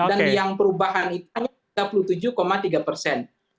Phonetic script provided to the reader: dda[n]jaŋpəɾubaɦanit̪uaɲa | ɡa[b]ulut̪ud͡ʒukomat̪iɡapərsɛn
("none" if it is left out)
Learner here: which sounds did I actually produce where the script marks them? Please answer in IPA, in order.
n, p

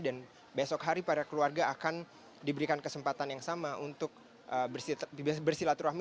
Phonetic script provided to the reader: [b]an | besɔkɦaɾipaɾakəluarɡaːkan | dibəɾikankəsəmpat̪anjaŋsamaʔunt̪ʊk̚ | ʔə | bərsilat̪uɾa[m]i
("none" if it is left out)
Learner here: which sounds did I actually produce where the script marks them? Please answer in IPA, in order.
d, m

